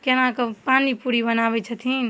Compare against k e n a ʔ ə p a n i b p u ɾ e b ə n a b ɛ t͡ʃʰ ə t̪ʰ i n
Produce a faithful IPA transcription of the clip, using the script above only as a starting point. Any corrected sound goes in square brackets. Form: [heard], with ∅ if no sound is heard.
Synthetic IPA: k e n a [k] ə p a n i [∅] p u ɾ [i] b ə n a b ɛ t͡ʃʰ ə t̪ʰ i n